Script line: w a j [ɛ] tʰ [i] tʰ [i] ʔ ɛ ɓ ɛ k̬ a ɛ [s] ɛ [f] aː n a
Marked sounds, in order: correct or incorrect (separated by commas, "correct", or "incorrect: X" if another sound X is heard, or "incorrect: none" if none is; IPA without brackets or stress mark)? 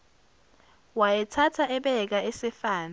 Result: correct, incorrect: a, incorrect: a, correct, correct